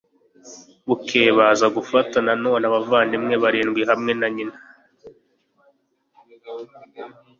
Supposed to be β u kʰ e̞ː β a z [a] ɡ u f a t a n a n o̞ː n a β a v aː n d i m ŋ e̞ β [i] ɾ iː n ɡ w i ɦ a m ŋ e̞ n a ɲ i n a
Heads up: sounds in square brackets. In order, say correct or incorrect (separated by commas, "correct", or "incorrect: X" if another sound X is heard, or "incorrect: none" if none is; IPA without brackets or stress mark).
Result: correct, incorrect: a